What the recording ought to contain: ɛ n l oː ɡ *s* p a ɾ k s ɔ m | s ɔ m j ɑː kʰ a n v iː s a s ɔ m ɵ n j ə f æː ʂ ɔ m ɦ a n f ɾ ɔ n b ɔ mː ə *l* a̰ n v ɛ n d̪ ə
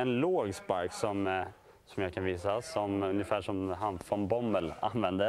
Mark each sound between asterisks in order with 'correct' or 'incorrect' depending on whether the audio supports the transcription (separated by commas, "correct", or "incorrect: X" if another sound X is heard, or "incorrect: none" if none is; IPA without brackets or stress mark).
correct, correct